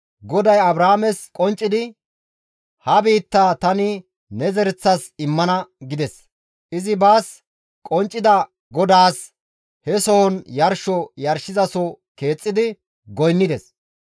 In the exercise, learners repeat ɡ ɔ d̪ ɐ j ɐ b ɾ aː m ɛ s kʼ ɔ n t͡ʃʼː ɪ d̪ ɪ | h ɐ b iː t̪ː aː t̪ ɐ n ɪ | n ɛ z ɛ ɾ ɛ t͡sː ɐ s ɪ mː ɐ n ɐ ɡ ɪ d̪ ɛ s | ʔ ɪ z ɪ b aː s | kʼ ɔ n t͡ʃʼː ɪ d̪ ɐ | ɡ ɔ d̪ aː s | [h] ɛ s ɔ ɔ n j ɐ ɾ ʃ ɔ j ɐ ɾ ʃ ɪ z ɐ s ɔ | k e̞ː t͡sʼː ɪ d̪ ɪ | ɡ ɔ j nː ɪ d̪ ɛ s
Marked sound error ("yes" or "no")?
no